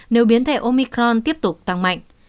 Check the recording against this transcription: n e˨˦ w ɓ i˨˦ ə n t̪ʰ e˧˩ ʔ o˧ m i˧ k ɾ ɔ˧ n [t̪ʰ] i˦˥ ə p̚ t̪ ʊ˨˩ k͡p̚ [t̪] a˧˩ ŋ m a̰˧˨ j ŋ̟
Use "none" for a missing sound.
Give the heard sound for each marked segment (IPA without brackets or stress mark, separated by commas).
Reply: t̪, t̪